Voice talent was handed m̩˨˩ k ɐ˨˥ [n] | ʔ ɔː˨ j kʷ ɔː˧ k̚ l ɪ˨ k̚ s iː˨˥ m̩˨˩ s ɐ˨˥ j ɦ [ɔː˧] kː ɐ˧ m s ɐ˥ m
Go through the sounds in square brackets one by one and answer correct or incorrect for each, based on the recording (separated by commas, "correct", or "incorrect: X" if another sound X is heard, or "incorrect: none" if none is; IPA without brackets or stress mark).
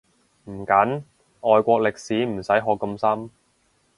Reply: correct, correct